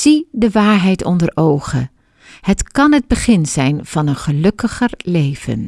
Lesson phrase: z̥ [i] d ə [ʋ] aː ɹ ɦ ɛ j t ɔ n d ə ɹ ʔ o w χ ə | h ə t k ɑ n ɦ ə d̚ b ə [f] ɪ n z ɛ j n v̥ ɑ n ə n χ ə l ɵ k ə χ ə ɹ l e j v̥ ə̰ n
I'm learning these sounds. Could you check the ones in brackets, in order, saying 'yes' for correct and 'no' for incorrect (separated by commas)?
yes, yes, no